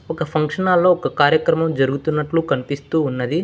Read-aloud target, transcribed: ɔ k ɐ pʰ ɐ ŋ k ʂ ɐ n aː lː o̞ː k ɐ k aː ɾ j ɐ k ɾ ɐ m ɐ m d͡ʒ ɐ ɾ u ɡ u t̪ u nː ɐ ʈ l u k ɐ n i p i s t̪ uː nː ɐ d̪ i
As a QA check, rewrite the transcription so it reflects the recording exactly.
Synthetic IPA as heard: ɔ k ɐ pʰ ɐ ŋ k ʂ ɐ n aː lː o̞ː k ɐ k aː ɾ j ɐ k ɾ ɐ m ɐ m d͡ʒ ɐ ɾ u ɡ u t̪ u nː ɐ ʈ l u k ɐ n i p i s t̪ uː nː ɐ d̪ i